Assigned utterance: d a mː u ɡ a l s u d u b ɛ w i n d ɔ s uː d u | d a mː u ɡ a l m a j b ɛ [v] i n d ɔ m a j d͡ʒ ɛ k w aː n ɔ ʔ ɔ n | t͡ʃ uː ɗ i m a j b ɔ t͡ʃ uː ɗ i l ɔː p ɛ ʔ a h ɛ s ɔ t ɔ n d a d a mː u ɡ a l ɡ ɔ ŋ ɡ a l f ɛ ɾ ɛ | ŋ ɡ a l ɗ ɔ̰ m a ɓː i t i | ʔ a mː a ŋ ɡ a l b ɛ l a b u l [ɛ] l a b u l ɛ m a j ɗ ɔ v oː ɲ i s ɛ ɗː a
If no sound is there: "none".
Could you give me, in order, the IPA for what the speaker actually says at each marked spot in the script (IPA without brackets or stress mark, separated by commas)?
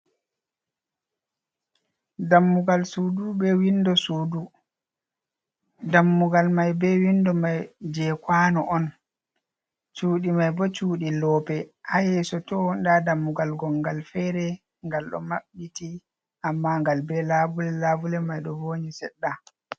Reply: w, ɛ